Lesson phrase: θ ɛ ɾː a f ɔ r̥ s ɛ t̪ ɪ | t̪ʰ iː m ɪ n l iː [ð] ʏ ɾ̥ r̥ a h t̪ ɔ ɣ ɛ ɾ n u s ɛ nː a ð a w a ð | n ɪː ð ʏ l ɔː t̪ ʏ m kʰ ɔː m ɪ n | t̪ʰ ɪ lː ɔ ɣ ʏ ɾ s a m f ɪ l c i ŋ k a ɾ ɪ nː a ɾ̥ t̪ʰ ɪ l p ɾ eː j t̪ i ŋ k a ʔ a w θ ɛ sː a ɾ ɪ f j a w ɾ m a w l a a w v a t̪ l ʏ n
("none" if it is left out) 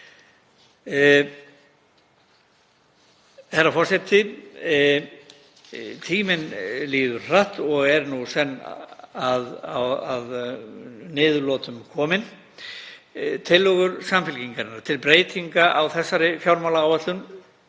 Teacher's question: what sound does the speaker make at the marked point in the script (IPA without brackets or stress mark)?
ð